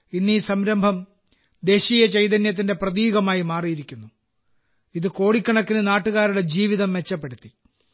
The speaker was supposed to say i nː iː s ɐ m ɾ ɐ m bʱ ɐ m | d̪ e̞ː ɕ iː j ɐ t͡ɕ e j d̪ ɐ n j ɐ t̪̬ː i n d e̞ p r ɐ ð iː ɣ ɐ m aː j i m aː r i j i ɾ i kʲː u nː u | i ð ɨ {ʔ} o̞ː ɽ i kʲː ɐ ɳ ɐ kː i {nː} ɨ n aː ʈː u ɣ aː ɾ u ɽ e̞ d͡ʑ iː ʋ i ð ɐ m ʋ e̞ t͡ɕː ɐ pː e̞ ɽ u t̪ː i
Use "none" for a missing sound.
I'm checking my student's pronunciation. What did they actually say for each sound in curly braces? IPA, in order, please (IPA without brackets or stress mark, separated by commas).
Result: k, n